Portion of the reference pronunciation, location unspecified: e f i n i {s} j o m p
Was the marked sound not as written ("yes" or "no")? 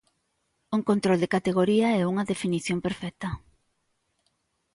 yes